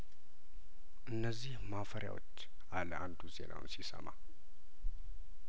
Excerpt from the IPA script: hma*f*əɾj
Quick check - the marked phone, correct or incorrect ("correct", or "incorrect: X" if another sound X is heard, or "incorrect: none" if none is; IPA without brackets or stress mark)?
correct